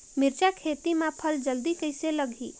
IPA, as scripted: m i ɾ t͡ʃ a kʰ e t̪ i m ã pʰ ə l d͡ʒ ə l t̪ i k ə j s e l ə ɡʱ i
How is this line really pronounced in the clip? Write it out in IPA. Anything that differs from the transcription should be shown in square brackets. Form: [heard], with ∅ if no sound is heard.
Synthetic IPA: m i ɾ t͡ʃ a kʰ e t̪ i m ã pʰ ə l d͡ʒ ə l [d̪] i k ə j s e l ə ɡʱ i